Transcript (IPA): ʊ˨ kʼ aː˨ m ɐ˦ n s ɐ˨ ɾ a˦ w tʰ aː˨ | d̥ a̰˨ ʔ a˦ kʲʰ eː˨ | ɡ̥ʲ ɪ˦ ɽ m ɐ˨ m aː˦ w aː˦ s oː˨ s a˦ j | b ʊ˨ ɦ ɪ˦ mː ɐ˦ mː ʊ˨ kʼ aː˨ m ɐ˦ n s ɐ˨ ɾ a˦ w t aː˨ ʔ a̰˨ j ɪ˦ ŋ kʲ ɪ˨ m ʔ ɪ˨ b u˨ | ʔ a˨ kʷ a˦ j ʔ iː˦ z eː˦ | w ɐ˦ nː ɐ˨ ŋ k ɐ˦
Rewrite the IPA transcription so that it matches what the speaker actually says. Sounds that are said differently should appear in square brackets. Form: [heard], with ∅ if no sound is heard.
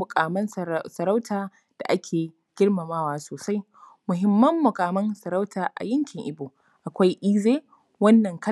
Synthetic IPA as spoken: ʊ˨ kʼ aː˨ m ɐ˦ n s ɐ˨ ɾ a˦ w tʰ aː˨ | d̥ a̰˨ ʔ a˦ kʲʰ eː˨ | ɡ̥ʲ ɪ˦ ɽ m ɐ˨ m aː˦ w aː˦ s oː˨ s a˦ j | [m] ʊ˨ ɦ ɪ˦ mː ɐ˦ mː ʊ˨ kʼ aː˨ m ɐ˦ n s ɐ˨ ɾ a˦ w t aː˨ ʔ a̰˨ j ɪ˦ ŋ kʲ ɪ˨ [ŋ] ʔ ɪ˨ b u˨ | ʔ a˨ kʷ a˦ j ʔ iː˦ z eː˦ | w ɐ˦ nː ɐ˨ ŋ k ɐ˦